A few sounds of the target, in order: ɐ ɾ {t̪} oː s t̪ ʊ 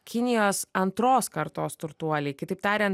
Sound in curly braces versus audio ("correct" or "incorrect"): correct